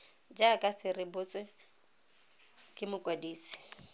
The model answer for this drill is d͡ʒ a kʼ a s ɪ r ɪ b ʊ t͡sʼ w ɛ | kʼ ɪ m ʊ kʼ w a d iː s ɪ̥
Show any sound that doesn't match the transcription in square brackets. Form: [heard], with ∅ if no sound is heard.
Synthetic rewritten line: d͡ʒ a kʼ a s ɪ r ɪ b ʊ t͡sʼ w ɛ | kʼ ɪ m ʊ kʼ w a d iː s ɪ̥